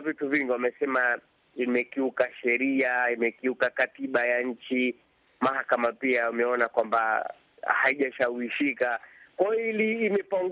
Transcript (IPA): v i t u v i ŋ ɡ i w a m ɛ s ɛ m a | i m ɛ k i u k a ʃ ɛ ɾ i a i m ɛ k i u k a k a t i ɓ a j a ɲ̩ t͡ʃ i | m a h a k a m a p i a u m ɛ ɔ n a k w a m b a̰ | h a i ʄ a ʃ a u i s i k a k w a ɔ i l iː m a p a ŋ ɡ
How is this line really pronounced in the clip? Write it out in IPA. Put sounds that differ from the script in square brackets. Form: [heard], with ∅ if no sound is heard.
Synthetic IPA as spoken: v i t u v i ŋ ɡ i w a m ɛ s ɛ m a | i m ɛ k i u k a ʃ ɛ ɾ i a i m ɛ k i u k a k a t i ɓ a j a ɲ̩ t͡ʃ i | m a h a k a m a p i a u m ɛ ɔ n a k w a m b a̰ | h a i ʄ a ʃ a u i [ʃ] i k a k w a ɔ i l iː m [ɛ] p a ŋ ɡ